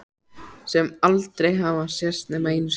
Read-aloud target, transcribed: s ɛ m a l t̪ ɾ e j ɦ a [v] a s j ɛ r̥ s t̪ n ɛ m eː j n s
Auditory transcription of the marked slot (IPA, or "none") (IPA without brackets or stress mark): v